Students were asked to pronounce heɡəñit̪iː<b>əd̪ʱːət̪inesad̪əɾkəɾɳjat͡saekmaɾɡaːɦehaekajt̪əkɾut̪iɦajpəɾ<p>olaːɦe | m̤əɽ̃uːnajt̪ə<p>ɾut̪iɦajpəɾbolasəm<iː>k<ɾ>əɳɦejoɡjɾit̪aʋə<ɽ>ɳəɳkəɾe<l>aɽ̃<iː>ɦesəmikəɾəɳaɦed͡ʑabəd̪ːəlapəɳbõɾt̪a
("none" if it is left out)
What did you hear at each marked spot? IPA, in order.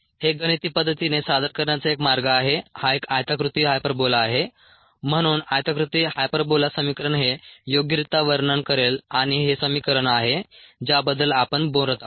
p, b, k, i, ɾ, ɾ, l, i

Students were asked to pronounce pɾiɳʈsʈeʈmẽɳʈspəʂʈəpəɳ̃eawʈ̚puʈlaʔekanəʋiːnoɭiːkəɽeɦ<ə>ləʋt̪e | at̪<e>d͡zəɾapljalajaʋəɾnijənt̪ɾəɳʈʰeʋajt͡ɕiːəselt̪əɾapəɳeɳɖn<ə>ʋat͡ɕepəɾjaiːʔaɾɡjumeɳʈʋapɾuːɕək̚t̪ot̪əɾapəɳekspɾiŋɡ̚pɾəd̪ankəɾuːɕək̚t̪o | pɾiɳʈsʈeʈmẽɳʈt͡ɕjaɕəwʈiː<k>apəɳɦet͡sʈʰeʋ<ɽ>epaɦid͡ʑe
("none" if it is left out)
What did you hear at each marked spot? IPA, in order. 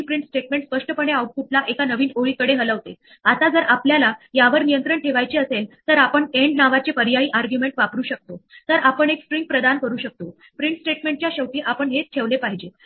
ə, a, a, ʔ, l

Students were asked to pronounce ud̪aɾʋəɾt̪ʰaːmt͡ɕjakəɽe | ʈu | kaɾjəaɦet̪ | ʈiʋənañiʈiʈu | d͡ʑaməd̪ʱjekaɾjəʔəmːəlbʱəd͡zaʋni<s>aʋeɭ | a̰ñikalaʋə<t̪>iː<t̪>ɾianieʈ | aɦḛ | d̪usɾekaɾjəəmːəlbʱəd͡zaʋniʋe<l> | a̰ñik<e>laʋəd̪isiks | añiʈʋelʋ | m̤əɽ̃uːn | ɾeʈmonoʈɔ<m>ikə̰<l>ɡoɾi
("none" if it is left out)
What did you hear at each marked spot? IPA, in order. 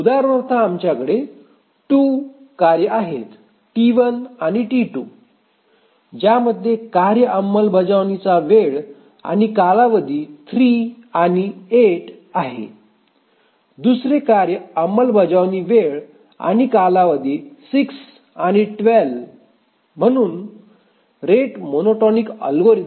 t͡s, d̪, t̪ʰ, ɭ, a, n, l

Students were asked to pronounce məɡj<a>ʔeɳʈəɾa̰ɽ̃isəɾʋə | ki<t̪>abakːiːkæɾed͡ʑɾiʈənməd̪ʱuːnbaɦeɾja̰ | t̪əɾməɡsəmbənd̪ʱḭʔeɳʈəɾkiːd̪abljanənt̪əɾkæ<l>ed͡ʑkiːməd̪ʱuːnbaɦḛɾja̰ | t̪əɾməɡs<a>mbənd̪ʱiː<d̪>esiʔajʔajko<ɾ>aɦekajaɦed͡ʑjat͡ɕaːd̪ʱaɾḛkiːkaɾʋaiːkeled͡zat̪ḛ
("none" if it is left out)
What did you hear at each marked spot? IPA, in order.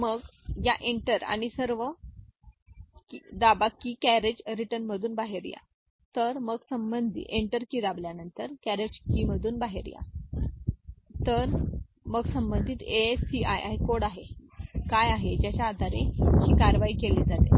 a, d̪, ɾ, ə, t̪, ɽ

